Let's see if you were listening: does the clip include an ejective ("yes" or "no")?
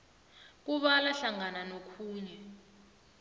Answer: no